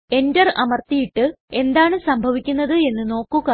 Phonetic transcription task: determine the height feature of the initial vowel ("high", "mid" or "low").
mid